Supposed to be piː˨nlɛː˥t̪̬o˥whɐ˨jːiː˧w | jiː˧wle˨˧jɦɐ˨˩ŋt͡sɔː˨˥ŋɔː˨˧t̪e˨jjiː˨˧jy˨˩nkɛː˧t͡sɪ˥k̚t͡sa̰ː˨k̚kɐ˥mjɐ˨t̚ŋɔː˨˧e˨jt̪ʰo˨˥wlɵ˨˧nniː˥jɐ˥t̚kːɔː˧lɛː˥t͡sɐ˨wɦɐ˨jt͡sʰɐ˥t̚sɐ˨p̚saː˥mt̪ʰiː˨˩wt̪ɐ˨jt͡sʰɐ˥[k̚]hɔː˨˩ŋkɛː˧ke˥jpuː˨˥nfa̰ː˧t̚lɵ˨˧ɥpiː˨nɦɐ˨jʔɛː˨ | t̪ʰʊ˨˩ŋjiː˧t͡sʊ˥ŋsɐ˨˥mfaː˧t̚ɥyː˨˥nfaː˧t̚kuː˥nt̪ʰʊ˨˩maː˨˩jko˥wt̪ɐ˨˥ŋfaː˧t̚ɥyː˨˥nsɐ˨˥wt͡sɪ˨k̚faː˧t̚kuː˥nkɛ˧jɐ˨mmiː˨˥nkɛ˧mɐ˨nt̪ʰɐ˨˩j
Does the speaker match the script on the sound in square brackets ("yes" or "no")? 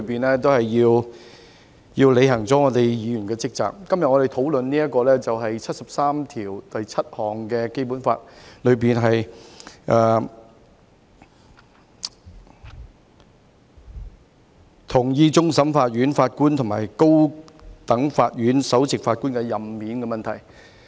no